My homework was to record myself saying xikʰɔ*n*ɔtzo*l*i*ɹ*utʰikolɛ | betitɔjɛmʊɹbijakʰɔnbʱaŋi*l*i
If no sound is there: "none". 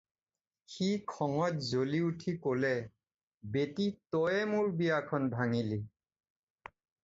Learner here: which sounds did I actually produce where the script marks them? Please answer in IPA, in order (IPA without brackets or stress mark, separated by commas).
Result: ŋ, l, none, l